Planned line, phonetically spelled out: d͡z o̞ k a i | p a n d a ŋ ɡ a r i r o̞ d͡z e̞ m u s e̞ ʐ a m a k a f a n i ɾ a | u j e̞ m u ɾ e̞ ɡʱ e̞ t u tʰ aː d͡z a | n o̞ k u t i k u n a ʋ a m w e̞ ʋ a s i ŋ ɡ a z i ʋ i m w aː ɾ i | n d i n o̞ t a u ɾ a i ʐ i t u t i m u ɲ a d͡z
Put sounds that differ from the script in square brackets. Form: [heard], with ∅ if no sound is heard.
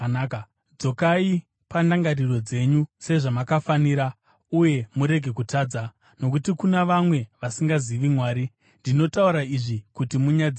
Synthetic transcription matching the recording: d͡z o̞ k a i | p a n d a ŋ ɡ a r i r o̞ d͡z e̞ [ɲ] u s e̞ ʐ a m a k a f a n i ɾ a | u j e̞ m u ɾ e̞ ɡʱ e̞ [k] u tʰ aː d͡z a | n o̞ k u t i k u n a ʋ a m w e̞ ʋ a s i ŋ ɡ a z i ʋ i m w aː ɾ i | n d i n o̞ t a u ɾ a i ʐ i [k] u t i m u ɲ a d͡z